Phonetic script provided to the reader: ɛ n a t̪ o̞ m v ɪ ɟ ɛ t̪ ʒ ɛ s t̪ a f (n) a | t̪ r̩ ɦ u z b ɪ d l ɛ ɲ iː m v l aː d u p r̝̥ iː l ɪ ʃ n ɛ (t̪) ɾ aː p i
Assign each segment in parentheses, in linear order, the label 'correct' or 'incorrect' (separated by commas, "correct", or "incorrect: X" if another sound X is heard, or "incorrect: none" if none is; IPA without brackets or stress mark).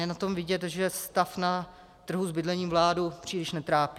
correct, correct